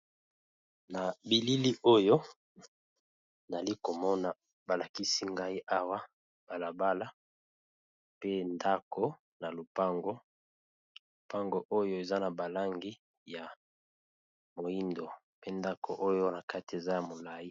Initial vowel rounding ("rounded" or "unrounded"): unrounded